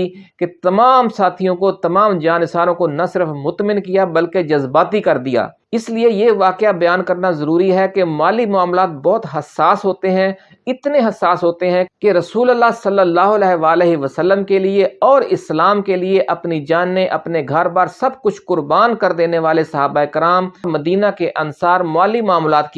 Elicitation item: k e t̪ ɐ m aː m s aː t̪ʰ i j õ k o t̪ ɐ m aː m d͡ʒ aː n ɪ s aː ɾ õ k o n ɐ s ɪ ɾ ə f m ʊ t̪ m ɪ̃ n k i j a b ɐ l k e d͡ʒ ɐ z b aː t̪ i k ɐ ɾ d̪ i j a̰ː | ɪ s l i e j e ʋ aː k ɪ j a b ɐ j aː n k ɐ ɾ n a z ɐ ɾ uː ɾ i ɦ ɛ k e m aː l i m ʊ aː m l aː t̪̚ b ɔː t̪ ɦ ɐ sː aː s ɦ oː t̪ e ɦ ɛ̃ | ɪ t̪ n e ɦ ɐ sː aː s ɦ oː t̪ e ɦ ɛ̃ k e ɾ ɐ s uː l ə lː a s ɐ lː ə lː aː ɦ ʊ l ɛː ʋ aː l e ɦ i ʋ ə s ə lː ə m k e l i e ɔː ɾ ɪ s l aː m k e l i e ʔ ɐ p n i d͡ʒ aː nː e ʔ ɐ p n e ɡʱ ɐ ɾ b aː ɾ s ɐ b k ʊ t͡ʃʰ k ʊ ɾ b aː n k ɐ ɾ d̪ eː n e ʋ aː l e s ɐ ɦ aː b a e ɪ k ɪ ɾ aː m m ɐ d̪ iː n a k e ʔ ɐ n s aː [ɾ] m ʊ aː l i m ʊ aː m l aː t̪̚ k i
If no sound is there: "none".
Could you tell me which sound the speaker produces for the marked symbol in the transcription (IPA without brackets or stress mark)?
ɾ